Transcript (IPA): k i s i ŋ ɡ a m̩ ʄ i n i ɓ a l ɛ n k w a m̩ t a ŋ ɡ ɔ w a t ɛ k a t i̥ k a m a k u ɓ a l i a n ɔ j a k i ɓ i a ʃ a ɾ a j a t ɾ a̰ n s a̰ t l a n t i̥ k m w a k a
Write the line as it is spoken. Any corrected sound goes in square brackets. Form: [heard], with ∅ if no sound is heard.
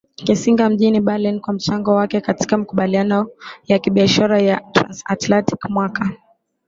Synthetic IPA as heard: k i s i ŋ ɡ a m̩ ʄ i n i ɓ a l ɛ n k w a m̩ [t͡ʃ] a ŋ ɡ ɔ w a [k] ɛ k a t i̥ k a m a k u ɓ a l i a n ɔ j a k i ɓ i a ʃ a ɾ a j a t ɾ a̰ n s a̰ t l a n t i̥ k m w a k a